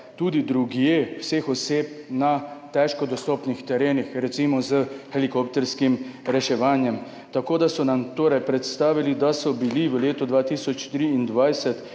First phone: t̪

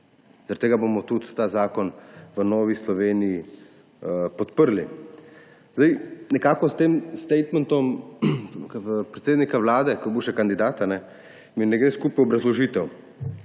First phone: z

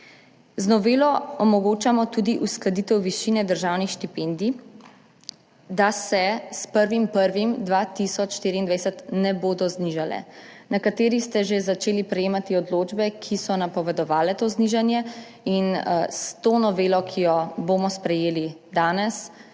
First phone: z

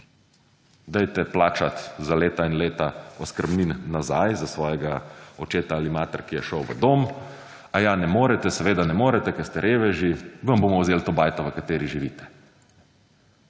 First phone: d̪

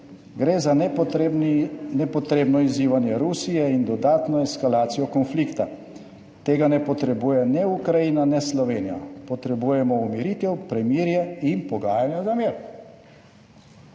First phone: ɡ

